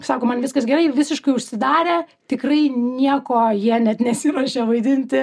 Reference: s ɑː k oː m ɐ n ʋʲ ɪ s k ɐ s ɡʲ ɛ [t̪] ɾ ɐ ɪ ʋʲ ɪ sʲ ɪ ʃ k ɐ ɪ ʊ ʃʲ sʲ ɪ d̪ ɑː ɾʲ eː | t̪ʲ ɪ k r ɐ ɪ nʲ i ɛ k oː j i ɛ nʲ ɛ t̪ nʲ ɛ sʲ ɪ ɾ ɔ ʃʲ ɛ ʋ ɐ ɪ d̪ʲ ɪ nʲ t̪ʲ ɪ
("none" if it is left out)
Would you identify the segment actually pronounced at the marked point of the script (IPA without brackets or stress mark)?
none